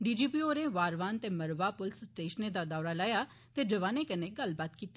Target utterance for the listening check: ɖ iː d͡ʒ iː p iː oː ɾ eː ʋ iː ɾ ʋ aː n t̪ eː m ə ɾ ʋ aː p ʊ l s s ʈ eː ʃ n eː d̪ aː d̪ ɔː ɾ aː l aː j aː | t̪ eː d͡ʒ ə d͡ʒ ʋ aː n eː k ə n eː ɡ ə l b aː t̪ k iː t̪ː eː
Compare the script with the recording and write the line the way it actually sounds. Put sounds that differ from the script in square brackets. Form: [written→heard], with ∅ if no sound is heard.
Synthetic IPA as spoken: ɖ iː d͡ʒ iː p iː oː ɾ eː ʋ [iː→aː] ɾ ʋ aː n t̪ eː m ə ɾ ʋ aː p ʊ l s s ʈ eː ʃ n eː d̪ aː d̪ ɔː ɾ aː l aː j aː | t̪ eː d͡ʒ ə [d͡ʒ→∅] ʋ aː n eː k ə n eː ɡ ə l b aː t̪ k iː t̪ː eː

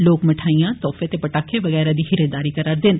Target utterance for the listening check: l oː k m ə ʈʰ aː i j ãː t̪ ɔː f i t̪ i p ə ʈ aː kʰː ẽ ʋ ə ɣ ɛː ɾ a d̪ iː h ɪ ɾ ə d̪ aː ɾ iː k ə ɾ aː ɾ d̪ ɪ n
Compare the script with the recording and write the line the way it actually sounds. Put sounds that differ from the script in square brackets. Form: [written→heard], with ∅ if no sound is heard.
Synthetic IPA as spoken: l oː k m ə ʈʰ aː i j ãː t̪ ɔː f [i→e] t̪ [i→e] p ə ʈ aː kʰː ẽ ʋ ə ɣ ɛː ɾ a d̪ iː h ɪ ɾ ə d̪ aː ɾ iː k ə ɾ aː ɾ d̪ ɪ n

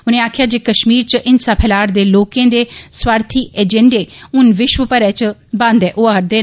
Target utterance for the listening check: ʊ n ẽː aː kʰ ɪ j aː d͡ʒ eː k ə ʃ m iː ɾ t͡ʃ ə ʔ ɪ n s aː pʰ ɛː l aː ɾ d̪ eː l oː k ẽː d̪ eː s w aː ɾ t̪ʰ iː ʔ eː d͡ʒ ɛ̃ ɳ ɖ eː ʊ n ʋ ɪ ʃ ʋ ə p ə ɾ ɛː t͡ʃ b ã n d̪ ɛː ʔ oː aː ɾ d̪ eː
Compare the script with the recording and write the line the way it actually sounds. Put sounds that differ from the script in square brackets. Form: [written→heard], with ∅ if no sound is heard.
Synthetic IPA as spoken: ʊ n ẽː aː kʰ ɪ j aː d͡ʒ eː k ə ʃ m iː ɾ t͡ʃ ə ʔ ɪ n s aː pʰ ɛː l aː ɾ d̪ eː l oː k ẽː d̪ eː s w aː ɾ t̪ʰ iː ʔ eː d͡ʒ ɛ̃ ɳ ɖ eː ʊ n ʋ ɪ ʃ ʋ ə p ə ɾ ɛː t͡ʃ b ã n d̪ ɛː ʔ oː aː ɾ d̪ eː

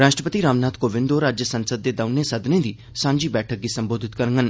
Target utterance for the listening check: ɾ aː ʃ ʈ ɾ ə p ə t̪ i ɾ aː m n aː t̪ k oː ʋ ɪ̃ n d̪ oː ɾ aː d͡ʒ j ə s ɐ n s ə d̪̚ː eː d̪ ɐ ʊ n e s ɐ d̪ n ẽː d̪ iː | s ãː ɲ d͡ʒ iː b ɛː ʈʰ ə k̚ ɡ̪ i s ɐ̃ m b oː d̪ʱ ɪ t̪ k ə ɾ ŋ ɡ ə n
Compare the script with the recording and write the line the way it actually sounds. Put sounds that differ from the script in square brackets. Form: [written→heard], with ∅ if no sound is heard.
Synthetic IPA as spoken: ɾ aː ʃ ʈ ɾ ə p ə t̪ i ɾ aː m n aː t̪ k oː ʋ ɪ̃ n d̪ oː ɾ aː d͡ʒ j ə s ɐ n s ə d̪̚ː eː d̪ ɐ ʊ n e s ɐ d̪ n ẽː d̪ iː | s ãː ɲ d͡ʒ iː b ɛː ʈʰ ə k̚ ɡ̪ i s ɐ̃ m b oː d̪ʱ ɪ t̪ k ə ɾ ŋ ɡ ə n

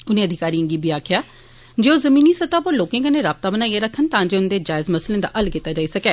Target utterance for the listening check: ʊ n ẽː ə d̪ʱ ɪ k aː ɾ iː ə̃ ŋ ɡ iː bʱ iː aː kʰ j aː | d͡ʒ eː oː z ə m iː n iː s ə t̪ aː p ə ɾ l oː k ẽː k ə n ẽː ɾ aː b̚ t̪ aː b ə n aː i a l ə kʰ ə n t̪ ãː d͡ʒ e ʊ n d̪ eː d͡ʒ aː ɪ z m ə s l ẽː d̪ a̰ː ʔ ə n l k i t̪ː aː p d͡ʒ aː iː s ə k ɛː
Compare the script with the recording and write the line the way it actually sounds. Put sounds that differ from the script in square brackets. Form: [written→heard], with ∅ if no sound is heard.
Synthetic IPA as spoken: ʊ n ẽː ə d̪ʱ ɪ k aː ɾ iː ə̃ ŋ ɡ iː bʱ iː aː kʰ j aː | d͡ʒ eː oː z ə m iː n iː s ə t̪ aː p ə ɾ l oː k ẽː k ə n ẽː ɾ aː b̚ t̪ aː b ə n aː i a [l→ɾ] ə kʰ ə n t̪ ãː d͡ʒ e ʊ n d̪ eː d͡ʒ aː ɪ z m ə s l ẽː d̪ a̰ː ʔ ə [n→∅] l k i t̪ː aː [p→∅] d͡ʒ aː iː s ə k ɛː

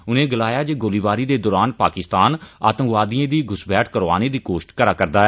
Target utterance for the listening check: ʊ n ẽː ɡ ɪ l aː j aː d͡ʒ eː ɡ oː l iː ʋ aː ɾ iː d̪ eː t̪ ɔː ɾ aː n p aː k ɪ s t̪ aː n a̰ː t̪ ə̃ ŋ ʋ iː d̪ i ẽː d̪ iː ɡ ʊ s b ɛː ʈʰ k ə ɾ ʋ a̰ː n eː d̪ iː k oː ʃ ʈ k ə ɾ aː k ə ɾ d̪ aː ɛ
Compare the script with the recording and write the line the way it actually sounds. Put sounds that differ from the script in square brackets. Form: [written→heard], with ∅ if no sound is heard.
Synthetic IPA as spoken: ʊ n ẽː ɡ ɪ l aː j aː d͡ʒ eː ɡ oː l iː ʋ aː ɾ iː d̪ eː [t̪→d̪] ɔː ɾ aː n p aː k ɪ s t̪ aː n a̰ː t̪ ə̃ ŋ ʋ [iː→aː] d̪ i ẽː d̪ iː ɡ ʊ s b ɛː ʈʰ k ə ɾ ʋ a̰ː n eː d̪ iː k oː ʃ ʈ k ə ɾ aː k ə ɾ d̪ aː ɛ

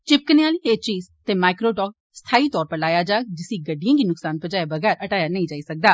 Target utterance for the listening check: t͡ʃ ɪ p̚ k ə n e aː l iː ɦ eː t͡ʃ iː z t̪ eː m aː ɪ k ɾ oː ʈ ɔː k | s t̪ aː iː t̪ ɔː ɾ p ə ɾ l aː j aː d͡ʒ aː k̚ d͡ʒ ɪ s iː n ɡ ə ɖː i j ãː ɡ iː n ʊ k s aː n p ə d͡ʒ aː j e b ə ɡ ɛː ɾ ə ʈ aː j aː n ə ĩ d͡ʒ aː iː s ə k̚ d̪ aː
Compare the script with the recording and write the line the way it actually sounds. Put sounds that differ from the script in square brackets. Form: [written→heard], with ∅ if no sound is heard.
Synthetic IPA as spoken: t͡ʃ ɪ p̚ k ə n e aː l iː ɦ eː t͡ʃ iː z t̪ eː m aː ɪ k ɾ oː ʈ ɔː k | s [t̪→t̪ʰ] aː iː t̪ ɔː ɾ p ə ɾ l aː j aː d͡ʒ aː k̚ d͡ʒ ɪ s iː [n→∅] ɡ ə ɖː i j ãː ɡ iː n ʊ k s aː n p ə d͡ʒ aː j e b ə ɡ ɛː ɾ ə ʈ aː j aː n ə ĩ d͡ʒ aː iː s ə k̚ d̪ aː

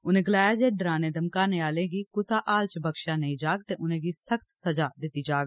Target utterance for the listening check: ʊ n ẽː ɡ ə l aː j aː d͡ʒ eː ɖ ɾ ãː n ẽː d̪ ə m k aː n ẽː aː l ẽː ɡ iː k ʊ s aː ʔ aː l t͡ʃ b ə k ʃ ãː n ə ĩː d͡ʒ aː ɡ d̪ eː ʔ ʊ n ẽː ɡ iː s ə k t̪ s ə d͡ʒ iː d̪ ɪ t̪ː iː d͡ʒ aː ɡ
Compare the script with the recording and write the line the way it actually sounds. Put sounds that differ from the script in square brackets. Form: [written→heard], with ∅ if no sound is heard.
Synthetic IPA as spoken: ʊ n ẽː ɡ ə l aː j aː d͡ʒ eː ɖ ɾ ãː n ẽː d̪ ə m k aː n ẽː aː l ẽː ɡ iː k ʊ s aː ʔ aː l t͡ʃ b ə k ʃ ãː n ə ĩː d͡ʒ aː ɡ [d̪→t̪] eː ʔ ʊ n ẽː ɡ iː s ə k t̪ s ə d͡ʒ [iː→aː] d̪ ɪ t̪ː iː d͡ʒ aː ɡ

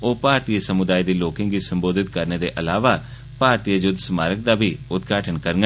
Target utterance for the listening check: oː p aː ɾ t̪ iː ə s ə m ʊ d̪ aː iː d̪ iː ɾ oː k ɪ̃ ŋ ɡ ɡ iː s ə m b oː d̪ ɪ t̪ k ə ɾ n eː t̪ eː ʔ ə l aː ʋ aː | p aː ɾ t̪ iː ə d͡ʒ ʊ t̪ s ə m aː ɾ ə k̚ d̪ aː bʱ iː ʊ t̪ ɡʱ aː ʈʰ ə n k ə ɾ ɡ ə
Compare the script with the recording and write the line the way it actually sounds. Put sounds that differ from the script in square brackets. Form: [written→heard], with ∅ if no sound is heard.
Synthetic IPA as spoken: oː p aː ɾ t̪ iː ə s ə m ʊ d̪ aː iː d̪ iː [ɾ→l] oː k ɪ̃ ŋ ɡ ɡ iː s ə m b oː d̪ ɪ t̪ k ə ɾ n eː [t̪→d̪] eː ʔ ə l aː ʋ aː | p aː ɾ t̪ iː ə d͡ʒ ʊ [t̪→d̪] s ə m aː ɾ ə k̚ d̪ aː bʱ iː ʊ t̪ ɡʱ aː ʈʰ ə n k ə ɾ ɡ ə

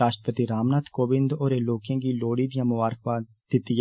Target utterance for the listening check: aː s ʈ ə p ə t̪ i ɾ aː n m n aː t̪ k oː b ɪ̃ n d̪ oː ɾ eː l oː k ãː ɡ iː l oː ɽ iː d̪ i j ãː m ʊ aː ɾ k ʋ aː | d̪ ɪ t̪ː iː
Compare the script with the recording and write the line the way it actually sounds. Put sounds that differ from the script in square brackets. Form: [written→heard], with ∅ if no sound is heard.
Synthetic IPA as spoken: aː [s→ʃ] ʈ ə p ə t̪ i ɾ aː [n→∅] m n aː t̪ k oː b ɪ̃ n d̪ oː ɾ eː l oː k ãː ɡ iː l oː ɽ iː d̪ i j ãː m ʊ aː ɾ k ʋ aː | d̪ ɪ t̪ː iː

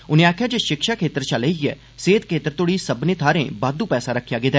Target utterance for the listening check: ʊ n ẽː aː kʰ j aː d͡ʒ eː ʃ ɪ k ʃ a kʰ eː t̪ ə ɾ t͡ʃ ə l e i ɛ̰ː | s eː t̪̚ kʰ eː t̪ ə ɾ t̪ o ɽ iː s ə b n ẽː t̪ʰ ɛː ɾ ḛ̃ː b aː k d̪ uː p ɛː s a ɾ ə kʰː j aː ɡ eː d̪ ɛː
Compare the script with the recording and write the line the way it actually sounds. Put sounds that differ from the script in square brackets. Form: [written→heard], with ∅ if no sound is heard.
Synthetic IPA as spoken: ʊ n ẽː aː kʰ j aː d͡ʒ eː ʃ ɪ k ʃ a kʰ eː t̪ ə ɾ t͡ʃ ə l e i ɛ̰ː | s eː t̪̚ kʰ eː t̪ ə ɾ t̪ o ɽ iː s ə b n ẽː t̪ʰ [ɛː→aː] ɾ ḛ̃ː b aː [k→∅] d̪ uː p ɛː s a ɾ ə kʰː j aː ɡ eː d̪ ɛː

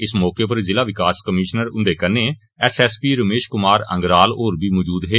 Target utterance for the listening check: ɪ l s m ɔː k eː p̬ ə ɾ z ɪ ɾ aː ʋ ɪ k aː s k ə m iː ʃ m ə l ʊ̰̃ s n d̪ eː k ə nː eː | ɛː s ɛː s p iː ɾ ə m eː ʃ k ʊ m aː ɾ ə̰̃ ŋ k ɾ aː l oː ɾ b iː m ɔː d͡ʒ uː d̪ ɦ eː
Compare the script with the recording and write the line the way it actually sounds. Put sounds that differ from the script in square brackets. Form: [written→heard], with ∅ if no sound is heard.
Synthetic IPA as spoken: ɪ [l→∅] s m ɔː k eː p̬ ə ɾ z ɪ [ɾ→l] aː ʋ ɪ k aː s k ə m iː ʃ [m→n] ə [l→ɾ] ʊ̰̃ [s→∅] n d̪ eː k ə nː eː | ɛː s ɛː s p iː ɾ ə m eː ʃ k ʊ m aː ɾ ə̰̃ ŋ [k→ɡ] ɾ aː l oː ɾ b iː m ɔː d͡ʒ uː d̪ ɦ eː

